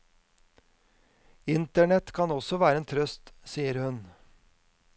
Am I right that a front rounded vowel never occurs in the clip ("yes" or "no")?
no